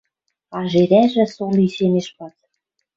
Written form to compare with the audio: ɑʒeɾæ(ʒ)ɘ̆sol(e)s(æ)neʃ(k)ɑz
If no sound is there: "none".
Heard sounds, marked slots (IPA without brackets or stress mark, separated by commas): ʒ, i, e, p